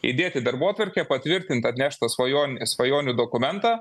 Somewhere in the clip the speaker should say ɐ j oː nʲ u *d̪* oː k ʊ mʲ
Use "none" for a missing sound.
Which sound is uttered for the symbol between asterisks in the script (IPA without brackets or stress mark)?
d̪